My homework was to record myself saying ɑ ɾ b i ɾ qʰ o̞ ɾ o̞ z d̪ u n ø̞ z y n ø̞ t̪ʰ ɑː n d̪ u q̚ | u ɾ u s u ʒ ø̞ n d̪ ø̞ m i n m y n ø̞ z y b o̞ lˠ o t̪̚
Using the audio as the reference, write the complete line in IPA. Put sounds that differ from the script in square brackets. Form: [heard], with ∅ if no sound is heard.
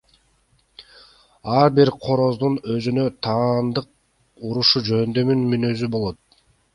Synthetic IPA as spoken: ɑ ɾ b i ɾ qʰ o̞ ɾ o̞ z d̪ u n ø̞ z y n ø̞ t̪ʰ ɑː n d̪ [ɯ] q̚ | u ɾ u [ʃ] u [d͡ʒ] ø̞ n d̪ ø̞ m [y] n m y n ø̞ z y b o̞ lˠ o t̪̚